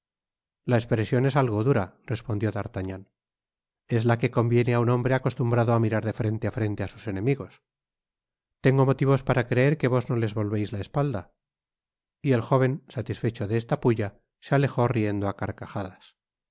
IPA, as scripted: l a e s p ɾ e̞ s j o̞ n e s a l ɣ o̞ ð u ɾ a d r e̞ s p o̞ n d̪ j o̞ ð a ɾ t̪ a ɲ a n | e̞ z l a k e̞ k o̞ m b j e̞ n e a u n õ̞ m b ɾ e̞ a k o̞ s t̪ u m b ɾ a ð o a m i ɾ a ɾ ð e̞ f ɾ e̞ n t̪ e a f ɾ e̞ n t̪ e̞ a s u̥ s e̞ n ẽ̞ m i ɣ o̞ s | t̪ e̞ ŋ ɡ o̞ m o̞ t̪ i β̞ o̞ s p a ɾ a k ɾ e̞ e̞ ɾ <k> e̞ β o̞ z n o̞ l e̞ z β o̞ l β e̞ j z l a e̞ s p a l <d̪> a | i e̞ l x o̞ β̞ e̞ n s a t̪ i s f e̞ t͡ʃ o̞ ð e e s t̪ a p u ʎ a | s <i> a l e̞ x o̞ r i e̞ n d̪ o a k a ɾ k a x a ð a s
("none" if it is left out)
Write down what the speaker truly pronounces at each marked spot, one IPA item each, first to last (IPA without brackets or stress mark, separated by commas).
k, d̪, e